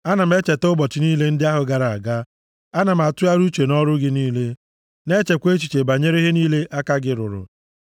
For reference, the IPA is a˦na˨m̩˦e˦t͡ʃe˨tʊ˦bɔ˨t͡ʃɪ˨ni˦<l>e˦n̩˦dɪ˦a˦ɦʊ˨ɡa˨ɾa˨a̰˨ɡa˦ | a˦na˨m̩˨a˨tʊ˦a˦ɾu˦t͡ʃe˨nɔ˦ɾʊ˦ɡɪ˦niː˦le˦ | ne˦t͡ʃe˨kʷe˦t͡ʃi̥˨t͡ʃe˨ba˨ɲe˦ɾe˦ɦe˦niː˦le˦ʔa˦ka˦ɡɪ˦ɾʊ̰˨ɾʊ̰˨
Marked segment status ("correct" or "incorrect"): correct